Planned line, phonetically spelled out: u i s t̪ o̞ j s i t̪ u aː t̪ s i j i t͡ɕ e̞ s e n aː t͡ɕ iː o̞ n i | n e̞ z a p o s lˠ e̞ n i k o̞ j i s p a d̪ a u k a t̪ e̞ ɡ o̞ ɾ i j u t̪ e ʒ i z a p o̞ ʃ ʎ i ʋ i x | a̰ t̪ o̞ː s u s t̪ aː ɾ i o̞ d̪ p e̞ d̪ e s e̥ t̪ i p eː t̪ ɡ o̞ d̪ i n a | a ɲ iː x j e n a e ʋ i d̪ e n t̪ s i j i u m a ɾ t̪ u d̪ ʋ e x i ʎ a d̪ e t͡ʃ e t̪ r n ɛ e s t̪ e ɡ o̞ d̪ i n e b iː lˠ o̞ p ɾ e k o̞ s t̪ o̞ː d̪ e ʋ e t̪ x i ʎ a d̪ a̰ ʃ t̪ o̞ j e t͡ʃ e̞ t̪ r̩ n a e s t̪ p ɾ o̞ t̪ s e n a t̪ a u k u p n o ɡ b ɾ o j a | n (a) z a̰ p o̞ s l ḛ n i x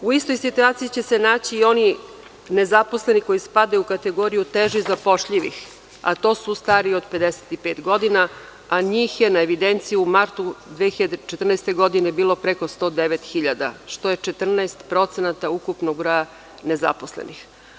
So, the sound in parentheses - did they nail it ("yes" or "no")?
no